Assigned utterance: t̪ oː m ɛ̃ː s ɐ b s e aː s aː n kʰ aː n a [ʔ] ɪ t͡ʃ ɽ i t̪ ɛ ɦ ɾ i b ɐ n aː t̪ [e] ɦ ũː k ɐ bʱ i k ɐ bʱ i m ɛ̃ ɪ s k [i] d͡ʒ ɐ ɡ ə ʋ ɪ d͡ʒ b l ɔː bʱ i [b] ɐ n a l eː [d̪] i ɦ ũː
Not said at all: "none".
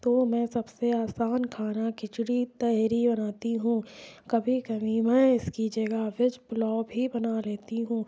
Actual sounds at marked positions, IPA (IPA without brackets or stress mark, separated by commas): k, i, i, b, t̪